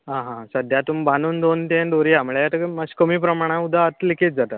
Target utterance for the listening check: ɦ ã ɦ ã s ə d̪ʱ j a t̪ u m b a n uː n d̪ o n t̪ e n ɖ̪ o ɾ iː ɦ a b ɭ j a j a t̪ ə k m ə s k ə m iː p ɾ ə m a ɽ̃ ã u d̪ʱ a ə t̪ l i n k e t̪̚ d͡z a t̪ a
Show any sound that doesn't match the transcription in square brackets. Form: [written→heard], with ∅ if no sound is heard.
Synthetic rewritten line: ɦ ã ɦ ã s ə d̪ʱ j a t̪ u m b a n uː n d̪ o n t̪ e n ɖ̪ o ɾ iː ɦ a [b→m] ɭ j a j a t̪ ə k m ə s k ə m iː p ɾ ə m a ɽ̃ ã u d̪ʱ a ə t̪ l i [n→∅] k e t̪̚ d͡z a t̪ a